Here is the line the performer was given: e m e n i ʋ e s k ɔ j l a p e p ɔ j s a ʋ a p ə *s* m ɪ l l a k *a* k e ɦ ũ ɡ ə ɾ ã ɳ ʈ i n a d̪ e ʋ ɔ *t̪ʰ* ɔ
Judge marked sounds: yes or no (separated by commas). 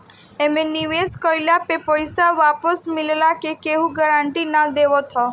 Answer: yes, no, yes